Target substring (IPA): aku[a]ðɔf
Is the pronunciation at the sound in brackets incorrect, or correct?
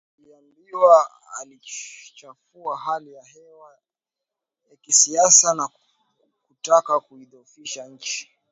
incorrect